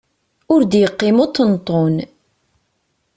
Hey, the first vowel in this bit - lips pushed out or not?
yes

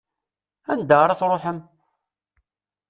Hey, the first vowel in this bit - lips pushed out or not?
no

